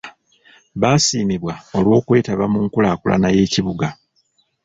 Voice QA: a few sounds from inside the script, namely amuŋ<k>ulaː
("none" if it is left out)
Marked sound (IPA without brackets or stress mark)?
k